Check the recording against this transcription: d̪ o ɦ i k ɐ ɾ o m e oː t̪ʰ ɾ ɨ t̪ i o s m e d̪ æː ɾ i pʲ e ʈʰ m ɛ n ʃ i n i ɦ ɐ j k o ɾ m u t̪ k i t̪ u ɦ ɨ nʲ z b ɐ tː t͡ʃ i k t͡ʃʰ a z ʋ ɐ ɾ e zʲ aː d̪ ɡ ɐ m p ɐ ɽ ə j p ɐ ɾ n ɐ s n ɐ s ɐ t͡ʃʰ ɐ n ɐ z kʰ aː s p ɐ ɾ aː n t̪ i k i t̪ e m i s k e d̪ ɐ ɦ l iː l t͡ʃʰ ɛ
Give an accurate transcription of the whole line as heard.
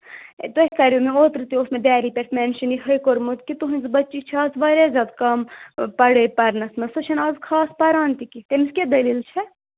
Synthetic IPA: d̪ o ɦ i k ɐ ɾ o m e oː t̪ ɾ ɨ t̪ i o s m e d̪ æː ɾ i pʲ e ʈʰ m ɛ n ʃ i n i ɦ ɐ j k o ɾ m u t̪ k i t̪ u ɦ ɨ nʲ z b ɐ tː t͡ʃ i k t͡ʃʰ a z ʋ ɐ ɾ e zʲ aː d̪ k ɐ m p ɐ ɽ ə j p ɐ ɾ n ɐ s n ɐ s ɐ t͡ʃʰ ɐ n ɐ z kʰ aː s p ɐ ɾ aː n t̪ i k i t̪ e m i s k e d̪ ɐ l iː l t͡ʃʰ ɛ